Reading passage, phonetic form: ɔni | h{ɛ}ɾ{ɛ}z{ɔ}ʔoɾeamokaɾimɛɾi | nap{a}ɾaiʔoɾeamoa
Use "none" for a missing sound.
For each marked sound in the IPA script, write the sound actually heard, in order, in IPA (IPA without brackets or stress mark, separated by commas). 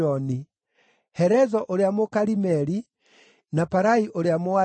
ɛ, ɛ, ɔ, a